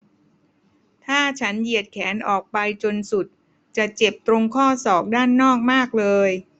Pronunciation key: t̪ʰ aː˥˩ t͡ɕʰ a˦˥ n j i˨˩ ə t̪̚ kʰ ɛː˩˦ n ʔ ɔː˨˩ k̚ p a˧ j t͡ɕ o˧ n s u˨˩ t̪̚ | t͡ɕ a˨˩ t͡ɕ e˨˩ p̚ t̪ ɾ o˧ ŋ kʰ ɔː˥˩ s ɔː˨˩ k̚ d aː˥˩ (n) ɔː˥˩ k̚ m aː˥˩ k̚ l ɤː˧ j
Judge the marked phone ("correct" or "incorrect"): incorrect